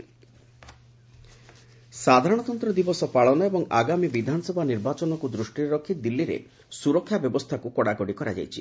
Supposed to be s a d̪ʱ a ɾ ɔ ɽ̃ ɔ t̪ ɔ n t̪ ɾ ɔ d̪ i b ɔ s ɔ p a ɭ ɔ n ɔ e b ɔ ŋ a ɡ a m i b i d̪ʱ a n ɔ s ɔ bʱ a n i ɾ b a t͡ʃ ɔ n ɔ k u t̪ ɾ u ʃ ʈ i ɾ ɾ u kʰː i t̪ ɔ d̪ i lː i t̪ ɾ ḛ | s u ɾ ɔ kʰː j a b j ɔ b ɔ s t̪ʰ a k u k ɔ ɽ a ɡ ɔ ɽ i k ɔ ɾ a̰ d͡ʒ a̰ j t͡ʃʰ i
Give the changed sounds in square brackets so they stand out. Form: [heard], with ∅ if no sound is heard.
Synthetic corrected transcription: s a d̪ʱ a ɾ ɔ ɽ̃ ɔ t̪ ɔ n t̪ ɾ ɔ d̪ i b ɔ s ɔ p a ɭ ɔ n ɔ e b ɔ ŋ a ɡ a m i b i d̪ʱ a n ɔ s ɔ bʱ a n i ɾ b a t͡ʃ ɔ n ɔ k u [d̪] ɾ u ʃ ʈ i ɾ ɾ [ɔ] kʰː i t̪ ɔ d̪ i lː i [∅] ɾ ḛ | s u ɾ ɔ kʰː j a b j ɔ b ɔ s t̪ʰ a k u k ɔ ɽ a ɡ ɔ ɽ i k ɔ ɾ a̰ d͡ʒ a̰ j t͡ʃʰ i

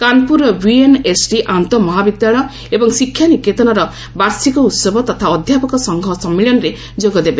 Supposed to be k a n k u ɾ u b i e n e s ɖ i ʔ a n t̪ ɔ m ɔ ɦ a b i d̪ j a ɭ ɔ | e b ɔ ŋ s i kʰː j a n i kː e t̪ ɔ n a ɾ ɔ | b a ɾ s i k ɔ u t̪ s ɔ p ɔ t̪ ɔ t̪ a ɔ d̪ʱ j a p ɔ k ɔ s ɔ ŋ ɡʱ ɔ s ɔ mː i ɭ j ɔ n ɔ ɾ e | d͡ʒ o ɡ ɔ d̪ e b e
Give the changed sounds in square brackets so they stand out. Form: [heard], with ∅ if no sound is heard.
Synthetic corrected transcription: k a n [p] u ɾ [ɔ] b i e n e s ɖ i ʔ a n t̪ ɔ m ɔ ɦ a b i d̪ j a ɭ ɔ | e b ɔ ŋ s i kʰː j a n i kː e t̪ ɔ n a ɾ ɔ | b a ɾ s i k ɔ u t̪ s ɔ [b] ɔ t̪ ɔ [t̪ʰ] a ɔ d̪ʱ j a p ɔ k ɔ s ɔ ŋ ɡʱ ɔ s ɔ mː i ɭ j ɔ n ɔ ɾ e | d͡ʒ o ɡ ɔ d̪ e b e

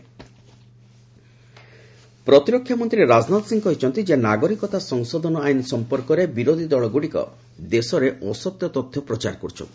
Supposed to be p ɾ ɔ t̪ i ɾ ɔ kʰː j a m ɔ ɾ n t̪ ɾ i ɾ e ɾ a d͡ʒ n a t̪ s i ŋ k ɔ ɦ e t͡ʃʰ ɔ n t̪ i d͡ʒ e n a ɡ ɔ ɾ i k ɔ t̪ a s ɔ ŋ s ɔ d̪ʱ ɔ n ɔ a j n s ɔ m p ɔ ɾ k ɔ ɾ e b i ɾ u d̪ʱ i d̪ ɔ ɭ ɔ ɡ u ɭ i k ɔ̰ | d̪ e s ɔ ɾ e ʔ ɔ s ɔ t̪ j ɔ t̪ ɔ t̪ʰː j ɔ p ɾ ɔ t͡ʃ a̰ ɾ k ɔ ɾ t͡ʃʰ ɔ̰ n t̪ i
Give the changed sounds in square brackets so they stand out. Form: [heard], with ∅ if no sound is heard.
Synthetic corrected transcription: p ɾ ɔ t̪ i ɾ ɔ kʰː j a m ɔ [∅] n t̪ ɾ i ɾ e ɾ a d͡ʒ n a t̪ s i ŋ k ɔ ɦ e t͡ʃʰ ɔ n t̪ i d͡ʒ e n a ɡ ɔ ɾ i k ɔ t̪ a s ɔ ŋ s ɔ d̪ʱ ɔ n ɔ a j n s ɔ m p ɔ ɾ k ɔ ɾ e b i ɾ [o] d̪ʱ i d̪ ɔ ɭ ɔ ɡ u [ɽ] i k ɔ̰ | d̪ e s ɔ ɾ e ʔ ɔ s ɔ t̪ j ɔ t̪ ɔ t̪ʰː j ɔ p ɾ ɔ t͡ʃ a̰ ɾ k ɔ ɾ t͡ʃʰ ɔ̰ n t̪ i

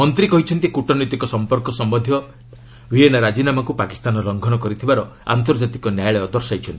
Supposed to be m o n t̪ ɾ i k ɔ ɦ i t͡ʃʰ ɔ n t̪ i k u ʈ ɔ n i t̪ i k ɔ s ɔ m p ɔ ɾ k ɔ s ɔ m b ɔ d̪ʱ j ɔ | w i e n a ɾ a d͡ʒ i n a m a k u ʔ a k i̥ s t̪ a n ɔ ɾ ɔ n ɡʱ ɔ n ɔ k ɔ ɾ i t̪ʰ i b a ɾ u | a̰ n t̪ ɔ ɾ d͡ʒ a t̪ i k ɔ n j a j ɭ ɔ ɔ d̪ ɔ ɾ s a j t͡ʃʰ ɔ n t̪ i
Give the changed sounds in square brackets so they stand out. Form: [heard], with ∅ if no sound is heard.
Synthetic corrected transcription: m [ɔ] n t̪ ɾ i k ɔ ɦ i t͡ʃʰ ɔ n t̪ i k u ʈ ɔ n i t̪ i k ɔ s ɔ m p ɔ ɾ k ɔ s ɔ m b ɔ d̪ʱ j ɔ | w i e n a ɾ a d͡ʒ i n a m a k u [p] a k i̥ s t̪ a n ɔ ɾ ɔ [ŋ] ɡʱ ɔ n ɔ k ɔ ɾ i t̪ʰ i b a ɾ [ɔ] | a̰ n t̪ ɔ ɾ d͡ʒ a t̪ i k ɔ n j a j ɭ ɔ ɔ d̪ ɔ ɾ s a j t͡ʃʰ ɔ n t̪ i

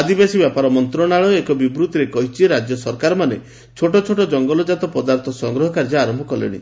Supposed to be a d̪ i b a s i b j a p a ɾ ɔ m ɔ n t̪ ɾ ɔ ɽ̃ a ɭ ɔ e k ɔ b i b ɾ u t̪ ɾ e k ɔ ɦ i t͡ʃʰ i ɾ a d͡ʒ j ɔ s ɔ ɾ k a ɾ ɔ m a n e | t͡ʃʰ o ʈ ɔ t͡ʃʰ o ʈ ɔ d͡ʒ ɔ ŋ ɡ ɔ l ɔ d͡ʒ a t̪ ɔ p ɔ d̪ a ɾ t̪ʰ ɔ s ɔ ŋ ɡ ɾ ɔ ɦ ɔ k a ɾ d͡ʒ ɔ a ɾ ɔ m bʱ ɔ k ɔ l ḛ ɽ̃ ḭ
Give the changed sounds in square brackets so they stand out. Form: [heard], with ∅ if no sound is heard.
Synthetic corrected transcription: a d̪ i b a s i b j a p a ɾ ɔ m ɔ n t̪ ɾ ɔ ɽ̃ a ɭ ɔ e k ɔ b i b ɾ u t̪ ɾ e k ɔ ɦ i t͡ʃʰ i ɾ a d͡ʒ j ɔ s ɔ ɾ k a ɾ ɔ m a n e | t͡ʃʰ o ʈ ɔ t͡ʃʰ o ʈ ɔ d͡ʒ ɔ ŋ ɡ ɔ l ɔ d͡ʒ a t̪ ɔ p ɔ d̪ a ɾ t̪ʰ ɔ s ɔ ŋ ɡ ɾ ɔ ɦ ɔ k a ɾ d͡ʒ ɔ a ɾ ɔ m bʱ ɔ k ɔ l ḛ ɽ̃ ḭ

